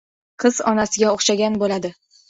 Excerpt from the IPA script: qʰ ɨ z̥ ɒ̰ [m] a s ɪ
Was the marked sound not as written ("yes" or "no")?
yes